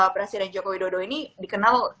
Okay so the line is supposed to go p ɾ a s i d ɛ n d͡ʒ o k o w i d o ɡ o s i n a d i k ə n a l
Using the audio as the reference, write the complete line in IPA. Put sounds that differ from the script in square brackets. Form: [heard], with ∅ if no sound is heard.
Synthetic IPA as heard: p ɾ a s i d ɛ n d͡ʒ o k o w i d o [d] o [∅] i n [i] d i k ə n a l